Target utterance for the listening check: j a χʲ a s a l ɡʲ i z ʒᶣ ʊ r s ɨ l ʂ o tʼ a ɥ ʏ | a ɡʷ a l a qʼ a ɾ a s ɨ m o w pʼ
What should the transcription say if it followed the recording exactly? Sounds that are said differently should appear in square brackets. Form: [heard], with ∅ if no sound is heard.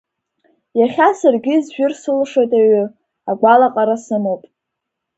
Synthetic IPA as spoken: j a χʲ a s a [r] ɡʲ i z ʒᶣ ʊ r s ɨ l ʂ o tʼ a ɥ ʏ | a ɡʷ a l a qʼ a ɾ a s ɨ m o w pʼ